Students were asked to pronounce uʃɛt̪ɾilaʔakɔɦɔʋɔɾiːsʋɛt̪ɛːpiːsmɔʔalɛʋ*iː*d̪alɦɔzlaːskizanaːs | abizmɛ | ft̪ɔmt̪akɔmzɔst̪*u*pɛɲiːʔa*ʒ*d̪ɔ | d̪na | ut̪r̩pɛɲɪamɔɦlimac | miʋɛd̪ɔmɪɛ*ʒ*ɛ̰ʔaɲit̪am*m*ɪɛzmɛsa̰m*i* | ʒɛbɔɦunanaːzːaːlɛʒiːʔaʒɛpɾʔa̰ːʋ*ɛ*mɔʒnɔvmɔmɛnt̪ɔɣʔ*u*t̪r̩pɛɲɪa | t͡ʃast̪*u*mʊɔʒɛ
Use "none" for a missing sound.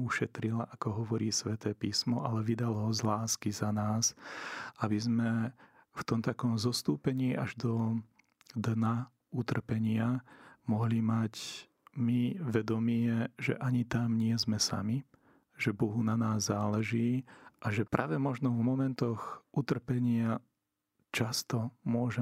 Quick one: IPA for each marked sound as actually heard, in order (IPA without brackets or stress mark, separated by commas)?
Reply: i, uː, ʒ, ʒ, ɲ, i, ɛ, u, ɔ